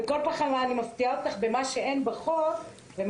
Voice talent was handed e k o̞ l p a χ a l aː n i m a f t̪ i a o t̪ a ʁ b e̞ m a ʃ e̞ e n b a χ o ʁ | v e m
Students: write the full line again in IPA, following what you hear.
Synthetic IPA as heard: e k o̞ l p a χ a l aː n i m a f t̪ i a o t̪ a χ b e̞ m a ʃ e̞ e n b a χ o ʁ | v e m